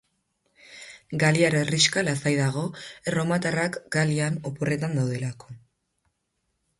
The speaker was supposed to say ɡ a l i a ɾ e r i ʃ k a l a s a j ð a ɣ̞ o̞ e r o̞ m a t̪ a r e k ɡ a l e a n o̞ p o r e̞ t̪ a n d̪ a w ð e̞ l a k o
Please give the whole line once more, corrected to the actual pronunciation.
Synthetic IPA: ɡ a l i a ɾ e r i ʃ k a l a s a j ð a ɣ̞ o̞ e r o̞ m a t̪ a r a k ɡ a l i a n o̞ p o r e̞ t̪ a n d̪ a w ð e̞ l a k o